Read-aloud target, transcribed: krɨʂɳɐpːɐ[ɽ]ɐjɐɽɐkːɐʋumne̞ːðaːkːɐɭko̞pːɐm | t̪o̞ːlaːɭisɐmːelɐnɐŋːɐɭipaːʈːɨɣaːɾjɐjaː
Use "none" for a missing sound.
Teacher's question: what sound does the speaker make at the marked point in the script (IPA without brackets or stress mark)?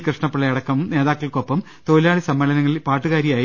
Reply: ɭ